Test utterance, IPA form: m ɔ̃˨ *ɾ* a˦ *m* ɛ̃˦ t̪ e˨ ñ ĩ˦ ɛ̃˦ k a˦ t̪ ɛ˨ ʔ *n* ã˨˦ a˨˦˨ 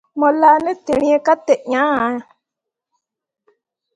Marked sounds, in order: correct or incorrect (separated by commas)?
incorrect, incorrect, incorrect